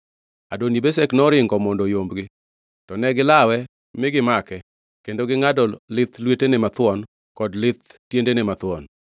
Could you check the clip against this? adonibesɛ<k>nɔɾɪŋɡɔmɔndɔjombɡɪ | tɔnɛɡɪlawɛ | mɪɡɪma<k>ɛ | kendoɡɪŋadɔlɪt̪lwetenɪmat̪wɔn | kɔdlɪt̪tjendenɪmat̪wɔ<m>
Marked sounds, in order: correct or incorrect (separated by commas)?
correct, correct, incorrect